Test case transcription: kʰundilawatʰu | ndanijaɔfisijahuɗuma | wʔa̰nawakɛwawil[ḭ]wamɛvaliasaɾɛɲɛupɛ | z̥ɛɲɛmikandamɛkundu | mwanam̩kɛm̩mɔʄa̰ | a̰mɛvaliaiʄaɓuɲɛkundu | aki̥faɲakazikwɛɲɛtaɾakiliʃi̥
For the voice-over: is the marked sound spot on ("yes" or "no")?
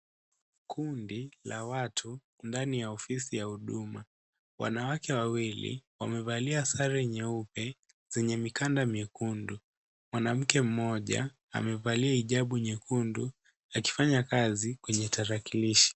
yes